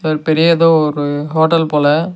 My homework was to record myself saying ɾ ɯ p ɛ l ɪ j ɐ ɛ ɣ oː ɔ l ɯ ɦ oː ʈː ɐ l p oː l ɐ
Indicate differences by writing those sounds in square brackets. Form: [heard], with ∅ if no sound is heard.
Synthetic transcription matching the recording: ɾ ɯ p ɛ [ɾ] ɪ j ɐ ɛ [ð] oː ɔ [ɾ] ɯ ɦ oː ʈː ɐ l p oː l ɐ